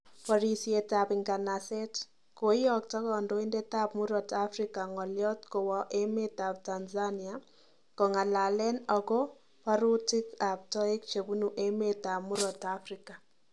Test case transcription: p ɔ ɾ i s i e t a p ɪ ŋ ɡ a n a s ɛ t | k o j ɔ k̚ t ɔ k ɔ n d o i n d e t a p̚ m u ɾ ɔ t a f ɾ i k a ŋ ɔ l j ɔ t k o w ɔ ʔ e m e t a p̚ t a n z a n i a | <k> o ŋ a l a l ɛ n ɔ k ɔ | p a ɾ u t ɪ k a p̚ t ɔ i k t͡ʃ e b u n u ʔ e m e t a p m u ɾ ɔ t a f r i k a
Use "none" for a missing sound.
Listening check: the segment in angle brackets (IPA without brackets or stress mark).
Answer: k